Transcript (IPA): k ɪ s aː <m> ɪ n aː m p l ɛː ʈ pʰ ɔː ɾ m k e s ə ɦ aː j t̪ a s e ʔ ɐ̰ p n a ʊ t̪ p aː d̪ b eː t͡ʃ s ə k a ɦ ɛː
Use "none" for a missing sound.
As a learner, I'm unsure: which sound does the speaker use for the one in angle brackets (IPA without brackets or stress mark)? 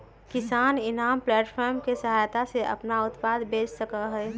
n